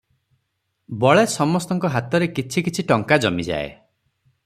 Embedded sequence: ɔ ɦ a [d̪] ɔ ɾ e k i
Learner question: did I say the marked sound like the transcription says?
no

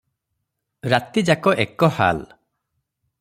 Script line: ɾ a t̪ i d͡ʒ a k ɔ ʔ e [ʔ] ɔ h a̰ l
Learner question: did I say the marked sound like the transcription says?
no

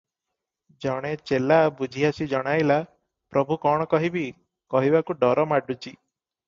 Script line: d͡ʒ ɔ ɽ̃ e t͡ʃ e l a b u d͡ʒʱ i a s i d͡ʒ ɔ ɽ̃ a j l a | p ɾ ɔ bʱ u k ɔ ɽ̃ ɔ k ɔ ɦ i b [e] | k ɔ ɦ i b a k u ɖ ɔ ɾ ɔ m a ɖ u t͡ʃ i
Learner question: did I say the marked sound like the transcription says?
no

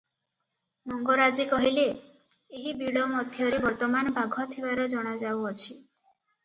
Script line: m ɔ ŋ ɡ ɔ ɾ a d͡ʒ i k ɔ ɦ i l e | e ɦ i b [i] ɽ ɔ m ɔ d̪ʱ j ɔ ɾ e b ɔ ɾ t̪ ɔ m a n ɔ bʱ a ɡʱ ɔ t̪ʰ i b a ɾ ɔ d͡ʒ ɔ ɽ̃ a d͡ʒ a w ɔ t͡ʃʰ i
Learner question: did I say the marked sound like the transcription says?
yes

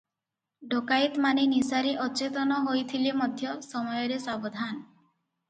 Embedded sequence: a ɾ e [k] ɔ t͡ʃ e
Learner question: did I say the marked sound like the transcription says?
no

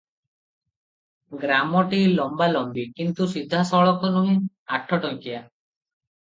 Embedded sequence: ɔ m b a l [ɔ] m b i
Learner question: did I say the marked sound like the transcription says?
yes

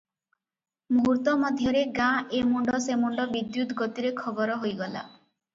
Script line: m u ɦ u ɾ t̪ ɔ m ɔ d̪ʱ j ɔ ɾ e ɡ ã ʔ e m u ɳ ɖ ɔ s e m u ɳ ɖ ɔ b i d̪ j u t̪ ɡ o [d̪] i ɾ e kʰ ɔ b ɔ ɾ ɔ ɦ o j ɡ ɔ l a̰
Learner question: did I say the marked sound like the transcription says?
no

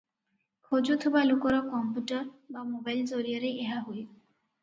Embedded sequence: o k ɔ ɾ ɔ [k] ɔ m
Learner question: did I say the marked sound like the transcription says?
yes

